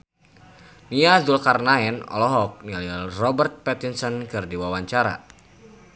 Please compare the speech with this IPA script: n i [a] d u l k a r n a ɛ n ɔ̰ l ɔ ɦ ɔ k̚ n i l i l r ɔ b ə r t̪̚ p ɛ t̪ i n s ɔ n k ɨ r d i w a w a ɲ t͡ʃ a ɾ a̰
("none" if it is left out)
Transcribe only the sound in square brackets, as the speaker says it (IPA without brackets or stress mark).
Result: a